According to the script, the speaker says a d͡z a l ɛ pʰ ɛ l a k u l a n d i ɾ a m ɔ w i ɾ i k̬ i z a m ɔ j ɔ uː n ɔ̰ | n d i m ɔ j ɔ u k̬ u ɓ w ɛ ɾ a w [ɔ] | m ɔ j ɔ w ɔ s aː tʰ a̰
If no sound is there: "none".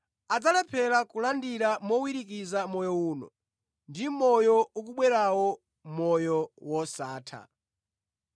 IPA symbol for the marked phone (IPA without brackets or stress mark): ɔ